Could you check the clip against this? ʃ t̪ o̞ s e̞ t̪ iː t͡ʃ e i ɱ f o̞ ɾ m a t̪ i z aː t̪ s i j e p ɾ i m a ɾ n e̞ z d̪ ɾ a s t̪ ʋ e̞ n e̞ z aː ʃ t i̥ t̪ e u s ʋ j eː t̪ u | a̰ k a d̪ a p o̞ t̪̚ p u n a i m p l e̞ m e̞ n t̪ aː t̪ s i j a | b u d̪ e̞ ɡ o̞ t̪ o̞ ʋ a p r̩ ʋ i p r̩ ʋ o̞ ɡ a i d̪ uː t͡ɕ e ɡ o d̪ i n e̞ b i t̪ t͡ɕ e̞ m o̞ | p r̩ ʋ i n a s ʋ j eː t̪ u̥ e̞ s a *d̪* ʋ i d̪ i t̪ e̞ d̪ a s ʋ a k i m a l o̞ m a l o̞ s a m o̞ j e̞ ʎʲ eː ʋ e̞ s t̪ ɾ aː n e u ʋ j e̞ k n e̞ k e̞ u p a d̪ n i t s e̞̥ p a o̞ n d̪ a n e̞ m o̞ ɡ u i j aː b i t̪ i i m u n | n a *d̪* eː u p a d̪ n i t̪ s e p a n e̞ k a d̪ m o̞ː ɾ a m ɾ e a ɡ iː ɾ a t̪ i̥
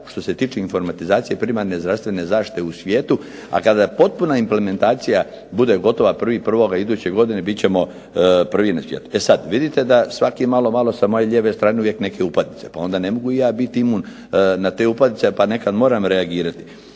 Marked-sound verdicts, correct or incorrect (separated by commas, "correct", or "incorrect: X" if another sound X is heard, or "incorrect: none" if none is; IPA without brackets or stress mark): correct, incorrect: t̪